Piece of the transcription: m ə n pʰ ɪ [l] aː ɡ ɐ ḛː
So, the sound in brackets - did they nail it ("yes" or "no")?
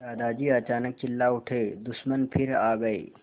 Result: no